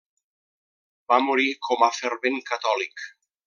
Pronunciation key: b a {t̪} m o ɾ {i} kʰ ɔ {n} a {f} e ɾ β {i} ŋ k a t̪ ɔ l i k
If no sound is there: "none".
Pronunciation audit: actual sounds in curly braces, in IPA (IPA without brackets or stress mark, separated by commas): none, i, m, f, e